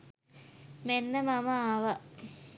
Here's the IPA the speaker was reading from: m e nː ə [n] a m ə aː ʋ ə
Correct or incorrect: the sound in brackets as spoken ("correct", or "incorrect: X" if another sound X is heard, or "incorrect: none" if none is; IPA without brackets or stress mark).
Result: incorrect: m